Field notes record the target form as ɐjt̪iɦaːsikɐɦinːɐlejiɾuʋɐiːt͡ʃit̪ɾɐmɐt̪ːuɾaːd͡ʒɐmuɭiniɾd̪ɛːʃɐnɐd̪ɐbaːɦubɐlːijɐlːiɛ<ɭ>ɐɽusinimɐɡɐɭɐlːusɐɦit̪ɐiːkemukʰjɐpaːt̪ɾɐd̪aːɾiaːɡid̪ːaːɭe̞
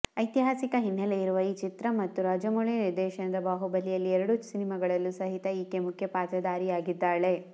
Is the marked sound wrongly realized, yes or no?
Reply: yes